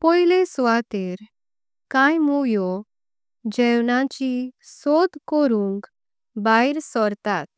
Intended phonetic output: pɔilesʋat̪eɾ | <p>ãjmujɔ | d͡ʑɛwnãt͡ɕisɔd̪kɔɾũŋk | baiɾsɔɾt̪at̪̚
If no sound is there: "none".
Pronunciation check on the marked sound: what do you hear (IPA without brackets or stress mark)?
k